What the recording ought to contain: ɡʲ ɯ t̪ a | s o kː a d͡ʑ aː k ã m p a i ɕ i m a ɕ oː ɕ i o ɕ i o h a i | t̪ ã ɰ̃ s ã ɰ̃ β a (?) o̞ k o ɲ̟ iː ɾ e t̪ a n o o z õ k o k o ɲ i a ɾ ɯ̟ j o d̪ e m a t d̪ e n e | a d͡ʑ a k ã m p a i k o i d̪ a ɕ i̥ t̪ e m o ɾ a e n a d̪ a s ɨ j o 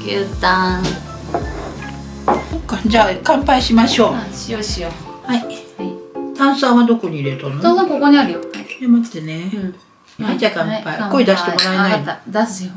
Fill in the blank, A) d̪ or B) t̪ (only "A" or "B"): A